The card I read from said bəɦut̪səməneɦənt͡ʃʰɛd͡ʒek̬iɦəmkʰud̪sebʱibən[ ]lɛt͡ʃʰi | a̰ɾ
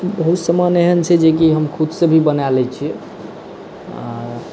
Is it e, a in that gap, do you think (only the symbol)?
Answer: a